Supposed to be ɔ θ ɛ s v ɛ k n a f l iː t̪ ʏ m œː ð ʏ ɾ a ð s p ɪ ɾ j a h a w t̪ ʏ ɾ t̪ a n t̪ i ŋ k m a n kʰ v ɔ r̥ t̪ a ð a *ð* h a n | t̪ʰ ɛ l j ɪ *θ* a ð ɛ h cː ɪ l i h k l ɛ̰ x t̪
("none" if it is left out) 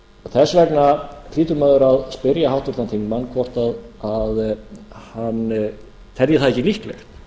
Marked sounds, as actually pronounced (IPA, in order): ð, θ

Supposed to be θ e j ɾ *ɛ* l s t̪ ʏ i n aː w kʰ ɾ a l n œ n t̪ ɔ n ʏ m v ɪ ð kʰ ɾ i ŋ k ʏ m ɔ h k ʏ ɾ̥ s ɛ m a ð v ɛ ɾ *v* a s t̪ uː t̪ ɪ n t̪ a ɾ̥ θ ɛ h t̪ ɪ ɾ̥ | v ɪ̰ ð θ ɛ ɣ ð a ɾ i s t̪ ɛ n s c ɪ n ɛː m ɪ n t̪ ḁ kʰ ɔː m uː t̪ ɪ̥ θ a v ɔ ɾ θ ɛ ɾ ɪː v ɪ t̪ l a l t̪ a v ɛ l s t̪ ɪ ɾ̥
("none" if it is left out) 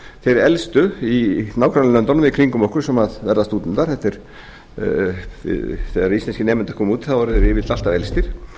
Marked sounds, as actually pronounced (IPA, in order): ɛ, ð

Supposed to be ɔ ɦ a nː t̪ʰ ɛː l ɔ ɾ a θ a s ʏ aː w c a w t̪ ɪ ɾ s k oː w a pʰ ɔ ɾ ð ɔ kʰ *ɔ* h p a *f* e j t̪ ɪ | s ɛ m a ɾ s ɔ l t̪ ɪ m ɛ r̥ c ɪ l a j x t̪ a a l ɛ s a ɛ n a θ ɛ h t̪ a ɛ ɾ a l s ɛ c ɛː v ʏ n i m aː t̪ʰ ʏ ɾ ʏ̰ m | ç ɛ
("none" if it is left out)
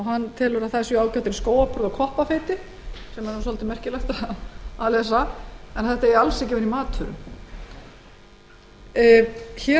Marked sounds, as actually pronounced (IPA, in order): ɔ, f

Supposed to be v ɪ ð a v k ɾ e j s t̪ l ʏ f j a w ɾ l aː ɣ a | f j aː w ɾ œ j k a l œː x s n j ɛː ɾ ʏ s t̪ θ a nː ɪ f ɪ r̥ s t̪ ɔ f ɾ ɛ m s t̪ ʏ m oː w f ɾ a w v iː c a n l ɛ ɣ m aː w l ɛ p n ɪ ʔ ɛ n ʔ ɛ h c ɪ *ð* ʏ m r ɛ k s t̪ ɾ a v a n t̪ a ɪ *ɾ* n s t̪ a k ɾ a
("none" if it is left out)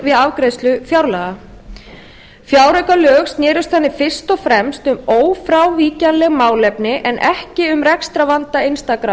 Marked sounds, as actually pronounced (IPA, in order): none, none

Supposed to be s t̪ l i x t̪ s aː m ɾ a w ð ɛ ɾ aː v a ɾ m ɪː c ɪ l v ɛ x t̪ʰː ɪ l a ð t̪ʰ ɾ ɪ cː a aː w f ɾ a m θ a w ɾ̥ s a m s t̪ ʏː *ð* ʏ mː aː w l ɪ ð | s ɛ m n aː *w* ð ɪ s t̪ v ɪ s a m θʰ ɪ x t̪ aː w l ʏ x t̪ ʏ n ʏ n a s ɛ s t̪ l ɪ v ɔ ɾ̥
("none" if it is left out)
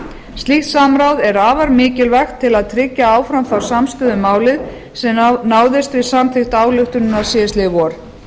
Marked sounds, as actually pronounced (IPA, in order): ð, w

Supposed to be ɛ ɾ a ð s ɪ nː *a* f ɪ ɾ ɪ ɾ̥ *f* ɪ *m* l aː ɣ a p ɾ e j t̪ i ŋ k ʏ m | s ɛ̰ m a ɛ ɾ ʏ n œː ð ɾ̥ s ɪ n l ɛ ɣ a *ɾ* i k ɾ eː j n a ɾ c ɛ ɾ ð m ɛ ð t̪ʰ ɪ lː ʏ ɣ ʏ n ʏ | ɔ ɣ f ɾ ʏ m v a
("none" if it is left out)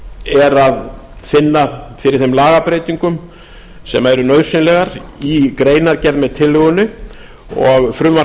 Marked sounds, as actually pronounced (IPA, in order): a, θ, m, ɾ

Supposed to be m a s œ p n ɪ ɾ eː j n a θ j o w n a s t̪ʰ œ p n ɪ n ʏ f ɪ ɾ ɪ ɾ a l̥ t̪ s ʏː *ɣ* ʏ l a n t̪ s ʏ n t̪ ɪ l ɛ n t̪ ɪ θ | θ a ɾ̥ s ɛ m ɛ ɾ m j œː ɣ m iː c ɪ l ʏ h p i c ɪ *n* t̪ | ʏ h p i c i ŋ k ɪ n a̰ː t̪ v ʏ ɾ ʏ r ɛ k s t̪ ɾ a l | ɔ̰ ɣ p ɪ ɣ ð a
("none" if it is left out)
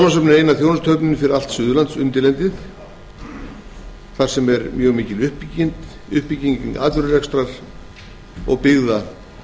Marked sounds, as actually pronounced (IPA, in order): ð, n

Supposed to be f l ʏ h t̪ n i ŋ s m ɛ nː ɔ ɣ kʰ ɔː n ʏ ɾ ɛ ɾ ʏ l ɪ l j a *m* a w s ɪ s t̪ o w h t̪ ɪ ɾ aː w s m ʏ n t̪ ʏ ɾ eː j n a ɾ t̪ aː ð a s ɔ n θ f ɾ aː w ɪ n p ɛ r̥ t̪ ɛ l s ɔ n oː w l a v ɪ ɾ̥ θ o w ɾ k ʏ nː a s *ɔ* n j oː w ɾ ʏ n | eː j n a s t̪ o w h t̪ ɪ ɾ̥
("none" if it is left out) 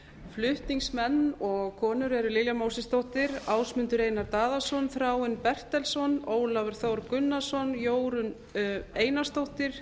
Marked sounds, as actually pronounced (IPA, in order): m, ɔ

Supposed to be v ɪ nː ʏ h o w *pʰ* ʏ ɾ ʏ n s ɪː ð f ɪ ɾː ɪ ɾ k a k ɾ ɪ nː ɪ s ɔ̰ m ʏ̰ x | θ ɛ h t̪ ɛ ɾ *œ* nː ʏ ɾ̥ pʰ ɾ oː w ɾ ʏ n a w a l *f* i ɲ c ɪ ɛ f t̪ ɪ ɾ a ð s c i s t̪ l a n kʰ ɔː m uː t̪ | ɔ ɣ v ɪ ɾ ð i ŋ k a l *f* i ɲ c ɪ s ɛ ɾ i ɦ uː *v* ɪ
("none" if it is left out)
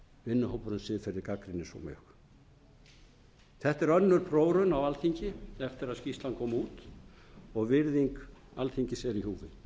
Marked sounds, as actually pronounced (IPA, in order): p, œ, θ, θ, v

